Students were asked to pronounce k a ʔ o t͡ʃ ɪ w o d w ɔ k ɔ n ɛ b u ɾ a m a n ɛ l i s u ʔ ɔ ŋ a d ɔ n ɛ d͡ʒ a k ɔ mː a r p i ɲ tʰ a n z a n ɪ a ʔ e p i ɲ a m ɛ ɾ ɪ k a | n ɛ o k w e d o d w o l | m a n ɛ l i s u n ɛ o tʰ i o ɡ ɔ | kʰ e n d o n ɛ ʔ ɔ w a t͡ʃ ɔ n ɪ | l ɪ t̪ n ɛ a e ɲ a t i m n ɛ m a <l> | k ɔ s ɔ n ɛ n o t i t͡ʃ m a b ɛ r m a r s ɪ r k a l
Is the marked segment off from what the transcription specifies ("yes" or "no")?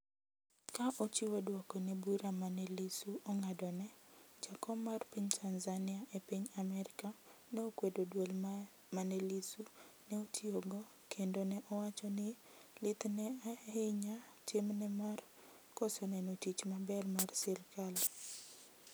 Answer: yes